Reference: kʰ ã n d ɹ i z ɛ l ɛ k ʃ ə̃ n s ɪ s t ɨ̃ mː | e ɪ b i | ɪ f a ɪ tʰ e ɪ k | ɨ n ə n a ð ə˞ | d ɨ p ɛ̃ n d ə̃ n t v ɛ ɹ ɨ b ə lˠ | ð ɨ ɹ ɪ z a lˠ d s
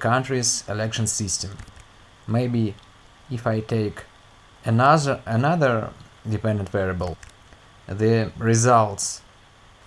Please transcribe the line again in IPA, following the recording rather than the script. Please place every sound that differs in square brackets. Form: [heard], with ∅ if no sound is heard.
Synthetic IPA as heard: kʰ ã n [t] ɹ i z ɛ l ɛ k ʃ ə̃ n s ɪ s t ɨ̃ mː | e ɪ b i | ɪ f a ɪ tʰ e ɪ k | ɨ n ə n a ð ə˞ | d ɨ p ɛ̃ n d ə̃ n t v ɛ ɹ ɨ b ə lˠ | ð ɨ ɹ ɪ z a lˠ [t] s